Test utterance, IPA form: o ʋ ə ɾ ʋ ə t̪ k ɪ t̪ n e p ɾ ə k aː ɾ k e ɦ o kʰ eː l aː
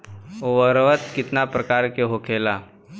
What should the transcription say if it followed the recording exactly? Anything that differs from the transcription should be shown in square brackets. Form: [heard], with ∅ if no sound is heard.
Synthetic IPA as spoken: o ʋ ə ɾ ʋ ə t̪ k ɪ t̪ n [a] p ɾ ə k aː ɾ k e ɦ o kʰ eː l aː